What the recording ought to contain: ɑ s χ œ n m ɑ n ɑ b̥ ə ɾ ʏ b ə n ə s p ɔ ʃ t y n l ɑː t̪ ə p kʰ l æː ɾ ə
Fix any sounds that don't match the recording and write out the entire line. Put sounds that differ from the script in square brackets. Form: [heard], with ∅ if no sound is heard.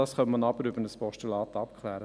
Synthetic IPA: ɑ s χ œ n m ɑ n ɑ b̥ ə ɾ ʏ b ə n ə s p ɔ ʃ t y [∅] l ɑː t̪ [ɑ] p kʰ l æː ɾ ə